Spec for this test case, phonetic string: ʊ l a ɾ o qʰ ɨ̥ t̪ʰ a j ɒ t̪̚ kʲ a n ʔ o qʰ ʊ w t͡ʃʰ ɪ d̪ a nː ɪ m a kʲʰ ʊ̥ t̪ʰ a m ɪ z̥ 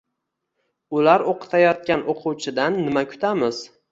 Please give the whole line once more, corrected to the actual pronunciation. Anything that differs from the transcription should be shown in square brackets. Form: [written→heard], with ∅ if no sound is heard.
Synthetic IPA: ʊ l a ɾ o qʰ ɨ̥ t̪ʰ a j ɒ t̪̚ kʲ a n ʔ o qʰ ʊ w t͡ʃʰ ɪ d̪ a nː ɪ m a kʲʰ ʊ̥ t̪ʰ a m ɪ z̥